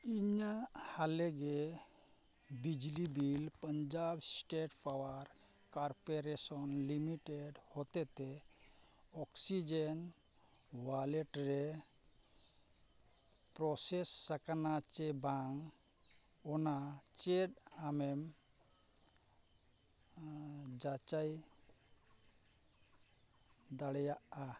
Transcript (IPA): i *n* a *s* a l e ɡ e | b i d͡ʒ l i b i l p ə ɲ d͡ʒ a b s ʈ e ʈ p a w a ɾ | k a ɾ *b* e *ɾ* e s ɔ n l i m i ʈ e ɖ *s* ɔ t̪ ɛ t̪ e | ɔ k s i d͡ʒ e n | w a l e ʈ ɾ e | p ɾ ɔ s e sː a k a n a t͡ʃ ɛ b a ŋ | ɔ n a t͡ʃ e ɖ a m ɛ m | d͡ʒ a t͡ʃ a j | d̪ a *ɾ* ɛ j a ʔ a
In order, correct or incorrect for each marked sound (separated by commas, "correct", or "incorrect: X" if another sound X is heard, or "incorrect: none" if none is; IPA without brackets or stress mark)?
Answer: incorrect: ɲ, incorrect: h, incorrect: p, correct, incorrect: h, incorrect: ɽ